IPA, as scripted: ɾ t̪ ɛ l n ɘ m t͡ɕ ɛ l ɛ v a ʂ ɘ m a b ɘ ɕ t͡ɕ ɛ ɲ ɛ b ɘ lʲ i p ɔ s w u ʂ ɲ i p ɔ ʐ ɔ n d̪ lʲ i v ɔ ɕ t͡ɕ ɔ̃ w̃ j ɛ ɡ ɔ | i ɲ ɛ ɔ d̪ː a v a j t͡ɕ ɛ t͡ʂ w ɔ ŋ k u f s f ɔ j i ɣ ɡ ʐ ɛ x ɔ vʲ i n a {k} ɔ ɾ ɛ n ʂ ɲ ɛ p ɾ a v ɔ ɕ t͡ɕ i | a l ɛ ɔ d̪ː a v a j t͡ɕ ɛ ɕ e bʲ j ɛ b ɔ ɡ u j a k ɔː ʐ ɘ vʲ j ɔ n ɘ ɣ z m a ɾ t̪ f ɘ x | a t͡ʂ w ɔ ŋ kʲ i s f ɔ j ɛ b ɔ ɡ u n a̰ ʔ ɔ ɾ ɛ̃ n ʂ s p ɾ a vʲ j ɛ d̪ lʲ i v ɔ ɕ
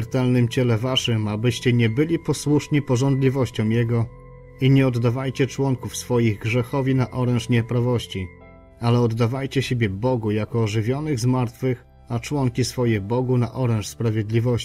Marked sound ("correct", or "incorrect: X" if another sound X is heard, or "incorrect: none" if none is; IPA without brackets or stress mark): incorrect: ʔ